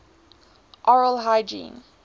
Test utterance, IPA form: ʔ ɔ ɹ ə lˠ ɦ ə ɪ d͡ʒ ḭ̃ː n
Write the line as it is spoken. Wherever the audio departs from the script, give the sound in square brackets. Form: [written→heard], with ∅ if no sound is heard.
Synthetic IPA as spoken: ʔ ɔ ɹ ə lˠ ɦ [ə→a] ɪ d͡ʒ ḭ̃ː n